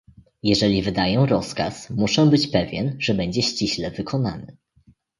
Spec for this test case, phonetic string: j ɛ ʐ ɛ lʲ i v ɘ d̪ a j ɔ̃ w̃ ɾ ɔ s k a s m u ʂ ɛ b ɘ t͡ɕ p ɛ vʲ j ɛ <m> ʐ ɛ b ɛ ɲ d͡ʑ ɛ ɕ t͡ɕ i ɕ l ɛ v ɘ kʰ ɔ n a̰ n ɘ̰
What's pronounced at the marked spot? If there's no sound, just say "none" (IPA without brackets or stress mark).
n